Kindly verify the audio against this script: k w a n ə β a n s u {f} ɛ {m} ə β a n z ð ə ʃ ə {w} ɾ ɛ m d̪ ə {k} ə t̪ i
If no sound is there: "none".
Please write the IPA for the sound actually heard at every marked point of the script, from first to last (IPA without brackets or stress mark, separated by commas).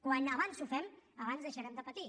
f, m, none, p